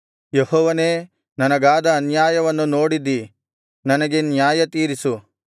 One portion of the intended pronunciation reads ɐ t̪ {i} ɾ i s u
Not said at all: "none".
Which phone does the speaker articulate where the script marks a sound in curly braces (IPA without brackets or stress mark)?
iː